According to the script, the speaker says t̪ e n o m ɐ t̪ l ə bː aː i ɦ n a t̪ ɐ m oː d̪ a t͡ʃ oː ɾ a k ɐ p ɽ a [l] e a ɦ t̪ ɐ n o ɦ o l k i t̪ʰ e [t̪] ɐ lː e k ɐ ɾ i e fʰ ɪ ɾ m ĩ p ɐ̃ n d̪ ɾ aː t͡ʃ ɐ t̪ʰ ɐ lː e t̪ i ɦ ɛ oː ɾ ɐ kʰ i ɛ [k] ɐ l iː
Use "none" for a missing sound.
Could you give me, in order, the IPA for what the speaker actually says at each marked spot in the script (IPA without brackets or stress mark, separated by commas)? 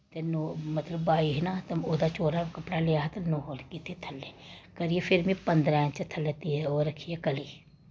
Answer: l, t̪ʰ, k